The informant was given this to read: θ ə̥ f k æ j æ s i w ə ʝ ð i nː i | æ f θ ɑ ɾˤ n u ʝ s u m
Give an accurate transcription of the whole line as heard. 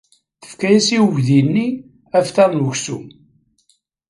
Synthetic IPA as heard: θ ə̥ f k æ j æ s i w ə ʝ ð i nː i | æ f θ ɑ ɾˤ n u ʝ s u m